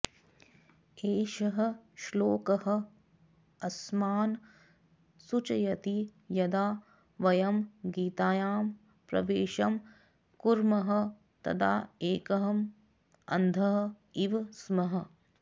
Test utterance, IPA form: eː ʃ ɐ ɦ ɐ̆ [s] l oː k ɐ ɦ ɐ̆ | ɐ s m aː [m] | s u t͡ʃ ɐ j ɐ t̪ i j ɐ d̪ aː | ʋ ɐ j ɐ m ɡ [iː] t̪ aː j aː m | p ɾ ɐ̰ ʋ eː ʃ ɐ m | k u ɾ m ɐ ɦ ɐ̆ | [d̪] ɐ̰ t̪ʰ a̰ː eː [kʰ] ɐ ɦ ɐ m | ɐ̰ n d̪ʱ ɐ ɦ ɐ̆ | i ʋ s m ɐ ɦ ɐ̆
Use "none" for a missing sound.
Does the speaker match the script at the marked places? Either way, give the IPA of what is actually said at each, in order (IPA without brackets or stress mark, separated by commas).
ʃ, n, iː, t̪, k